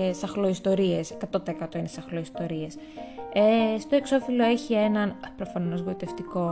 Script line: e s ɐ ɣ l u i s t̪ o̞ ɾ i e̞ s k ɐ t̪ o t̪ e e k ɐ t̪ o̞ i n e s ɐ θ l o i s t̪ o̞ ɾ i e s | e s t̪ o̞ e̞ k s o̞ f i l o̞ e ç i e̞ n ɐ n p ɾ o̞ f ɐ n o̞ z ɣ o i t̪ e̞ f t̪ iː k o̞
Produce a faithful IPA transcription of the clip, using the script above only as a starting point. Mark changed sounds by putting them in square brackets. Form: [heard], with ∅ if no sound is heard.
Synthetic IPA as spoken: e s ɐ [x] l [o] i s t̪ o̞ ɾ i e̞ s k ɐ t̪ o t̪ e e k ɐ t̪ o̞ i n e s ɐ [x] l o i s t̪ o̞ ɾ i e s | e s t̪ o̞ e̞ k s o̞ f i l o̞ e ç i e̞ n ɐ n p ɾ o̞ f ɐ n o̞ z ɣ o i t̪ e̞ f t̪ [i] k o̞